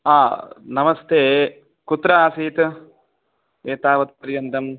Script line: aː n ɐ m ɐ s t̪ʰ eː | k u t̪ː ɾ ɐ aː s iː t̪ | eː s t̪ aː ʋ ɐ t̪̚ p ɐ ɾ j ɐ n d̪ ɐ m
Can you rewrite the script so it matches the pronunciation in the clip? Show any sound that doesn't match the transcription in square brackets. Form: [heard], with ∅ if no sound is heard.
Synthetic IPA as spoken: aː n ɐ m ɐ s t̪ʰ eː | k u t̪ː ɾ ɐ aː s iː t̪ | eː [∅] t̪ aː ʋ ɐ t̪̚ p ɐ ɾ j ɐ n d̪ ɐ m